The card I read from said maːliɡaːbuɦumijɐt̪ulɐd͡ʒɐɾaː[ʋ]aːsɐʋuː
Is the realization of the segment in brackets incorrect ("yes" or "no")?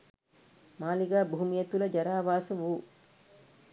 no